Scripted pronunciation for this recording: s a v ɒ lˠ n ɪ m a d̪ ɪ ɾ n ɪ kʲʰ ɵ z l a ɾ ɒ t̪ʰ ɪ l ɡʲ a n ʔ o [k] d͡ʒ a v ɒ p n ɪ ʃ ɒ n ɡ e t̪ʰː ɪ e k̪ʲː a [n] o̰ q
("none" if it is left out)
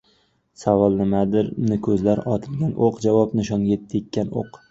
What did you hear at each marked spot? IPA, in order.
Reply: q, n

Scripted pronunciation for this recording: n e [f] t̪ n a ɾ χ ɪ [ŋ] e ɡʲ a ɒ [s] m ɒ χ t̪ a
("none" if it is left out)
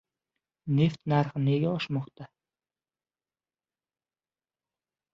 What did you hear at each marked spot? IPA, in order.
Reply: f, n, ʃ

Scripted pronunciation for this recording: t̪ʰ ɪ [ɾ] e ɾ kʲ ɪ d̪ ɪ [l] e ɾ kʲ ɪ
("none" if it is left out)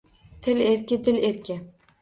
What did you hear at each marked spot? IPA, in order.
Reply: l, l

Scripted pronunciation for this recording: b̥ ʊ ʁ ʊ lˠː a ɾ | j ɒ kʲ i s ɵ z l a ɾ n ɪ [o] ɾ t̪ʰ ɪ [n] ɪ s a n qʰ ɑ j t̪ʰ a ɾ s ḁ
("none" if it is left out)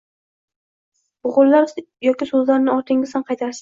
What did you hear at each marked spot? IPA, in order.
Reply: ɒ, ŋ

